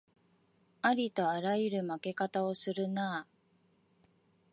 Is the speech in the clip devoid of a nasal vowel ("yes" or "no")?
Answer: yes